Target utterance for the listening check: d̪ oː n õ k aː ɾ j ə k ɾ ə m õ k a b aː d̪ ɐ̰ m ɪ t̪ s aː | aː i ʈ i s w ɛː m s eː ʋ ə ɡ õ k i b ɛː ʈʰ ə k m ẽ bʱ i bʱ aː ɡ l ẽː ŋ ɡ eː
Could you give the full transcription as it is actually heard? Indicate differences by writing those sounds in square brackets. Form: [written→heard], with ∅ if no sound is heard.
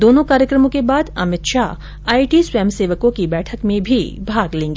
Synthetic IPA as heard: d̪ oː n õ k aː ɾ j ə k ɾ ə m õ k [a→e] b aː d̪ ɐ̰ m ɪ t̪ [s→ʃ] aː | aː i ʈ i s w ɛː m s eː ʋ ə [ɡ→k] õ k i b ɛː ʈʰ ə k m ẽ bʱ i bʱ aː ɡ l ẽː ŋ ɡ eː